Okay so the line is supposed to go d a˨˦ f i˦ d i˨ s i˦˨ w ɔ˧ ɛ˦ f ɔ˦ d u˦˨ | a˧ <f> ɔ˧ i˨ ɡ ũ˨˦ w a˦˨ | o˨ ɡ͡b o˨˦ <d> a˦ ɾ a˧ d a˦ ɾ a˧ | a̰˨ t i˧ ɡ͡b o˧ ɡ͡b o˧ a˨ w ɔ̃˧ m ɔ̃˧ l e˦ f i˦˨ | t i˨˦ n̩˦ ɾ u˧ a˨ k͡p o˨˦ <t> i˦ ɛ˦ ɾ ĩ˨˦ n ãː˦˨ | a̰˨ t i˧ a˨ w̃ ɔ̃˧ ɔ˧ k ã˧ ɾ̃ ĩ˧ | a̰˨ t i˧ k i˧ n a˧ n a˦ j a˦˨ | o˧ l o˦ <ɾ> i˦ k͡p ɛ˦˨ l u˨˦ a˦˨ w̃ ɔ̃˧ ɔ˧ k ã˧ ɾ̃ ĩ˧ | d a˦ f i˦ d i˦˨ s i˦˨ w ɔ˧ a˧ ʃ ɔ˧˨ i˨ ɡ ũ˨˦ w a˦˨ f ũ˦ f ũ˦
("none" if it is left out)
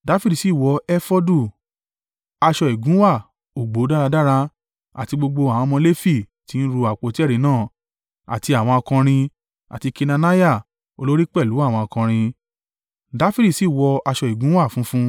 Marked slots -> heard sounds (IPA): ʃ, d, t, ɾ

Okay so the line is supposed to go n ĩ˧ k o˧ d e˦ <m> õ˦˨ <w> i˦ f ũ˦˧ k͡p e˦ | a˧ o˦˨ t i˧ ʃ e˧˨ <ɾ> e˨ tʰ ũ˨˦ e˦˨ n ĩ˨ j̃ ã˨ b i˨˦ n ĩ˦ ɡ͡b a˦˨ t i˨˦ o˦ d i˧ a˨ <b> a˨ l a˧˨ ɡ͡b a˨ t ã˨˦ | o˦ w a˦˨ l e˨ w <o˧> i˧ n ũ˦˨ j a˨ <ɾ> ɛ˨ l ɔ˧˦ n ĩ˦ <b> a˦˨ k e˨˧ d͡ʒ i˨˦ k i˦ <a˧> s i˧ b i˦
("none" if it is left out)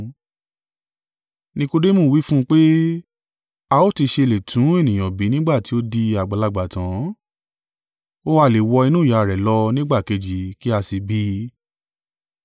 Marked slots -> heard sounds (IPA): m, w, l, ɡ͡b, ɔ˧, ɾ, ɡ͡b, a˧

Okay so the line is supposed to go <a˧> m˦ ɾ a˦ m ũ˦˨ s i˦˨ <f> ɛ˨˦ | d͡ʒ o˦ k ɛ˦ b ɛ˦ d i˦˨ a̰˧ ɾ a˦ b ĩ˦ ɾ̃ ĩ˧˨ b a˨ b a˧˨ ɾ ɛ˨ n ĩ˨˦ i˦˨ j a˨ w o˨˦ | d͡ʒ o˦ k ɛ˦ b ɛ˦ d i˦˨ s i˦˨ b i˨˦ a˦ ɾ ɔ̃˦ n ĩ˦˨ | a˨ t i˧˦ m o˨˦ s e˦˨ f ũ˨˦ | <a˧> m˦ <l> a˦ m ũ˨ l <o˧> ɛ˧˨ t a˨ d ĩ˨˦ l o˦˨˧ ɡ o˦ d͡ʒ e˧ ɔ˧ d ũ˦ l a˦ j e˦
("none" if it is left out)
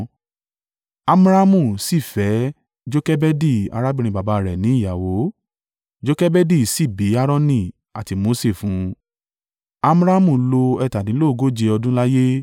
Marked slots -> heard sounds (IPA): a˧, f, a˧, ɾ, o˧

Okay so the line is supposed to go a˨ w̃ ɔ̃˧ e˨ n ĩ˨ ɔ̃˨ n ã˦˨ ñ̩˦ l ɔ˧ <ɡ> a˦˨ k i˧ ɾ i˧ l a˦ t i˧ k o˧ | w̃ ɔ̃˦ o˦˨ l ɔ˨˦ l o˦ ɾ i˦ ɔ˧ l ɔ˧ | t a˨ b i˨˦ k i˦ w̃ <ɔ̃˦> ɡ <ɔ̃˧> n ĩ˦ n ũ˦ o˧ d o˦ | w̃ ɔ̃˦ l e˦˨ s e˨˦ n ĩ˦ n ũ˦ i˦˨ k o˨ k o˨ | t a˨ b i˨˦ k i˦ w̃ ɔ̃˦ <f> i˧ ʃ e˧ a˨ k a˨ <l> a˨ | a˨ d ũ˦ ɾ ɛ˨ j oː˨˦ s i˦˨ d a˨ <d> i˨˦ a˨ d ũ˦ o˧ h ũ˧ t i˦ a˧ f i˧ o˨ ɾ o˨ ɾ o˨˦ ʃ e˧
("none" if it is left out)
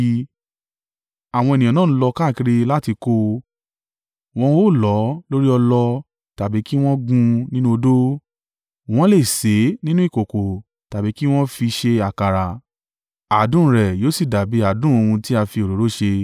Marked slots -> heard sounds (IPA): k, ɔ̃˦, ũ˧, f, ɾ, b

